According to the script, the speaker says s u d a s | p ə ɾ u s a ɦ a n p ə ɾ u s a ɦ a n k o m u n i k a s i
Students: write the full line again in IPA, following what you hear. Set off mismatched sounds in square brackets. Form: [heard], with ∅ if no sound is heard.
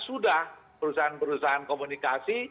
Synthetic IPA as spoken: s u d a [h] | p ə ɾ u s a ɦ a n p ə ɾ u s a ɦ a n k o m u n i k a s i